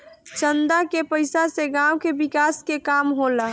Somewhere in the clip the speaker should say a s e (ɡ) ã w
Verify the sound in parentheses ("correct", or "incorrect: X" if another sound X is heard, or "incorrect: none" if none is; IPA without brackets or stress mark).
correct